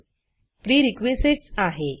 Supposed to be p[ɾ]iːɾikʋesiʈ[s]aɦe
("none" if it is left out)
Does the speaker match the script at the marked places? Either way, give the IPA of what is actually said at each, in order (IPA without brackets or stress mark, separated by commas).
ɾ, s